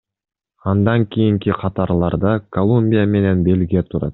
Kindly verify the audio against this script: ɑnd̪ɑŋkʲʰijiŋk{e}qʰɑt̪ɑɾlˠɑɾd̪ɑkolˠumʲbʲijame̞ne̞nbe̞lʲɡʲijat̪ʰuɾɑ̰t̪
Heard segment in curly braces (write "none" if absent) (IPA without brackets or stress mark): i